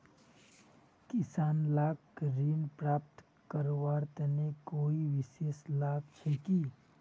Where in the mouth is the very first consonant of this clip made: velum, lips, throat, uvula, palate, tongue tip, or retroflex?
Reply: velum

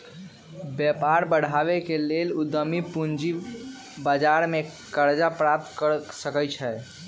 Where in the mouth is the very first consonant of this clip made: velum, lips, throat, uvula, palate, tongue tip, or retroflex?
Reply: lips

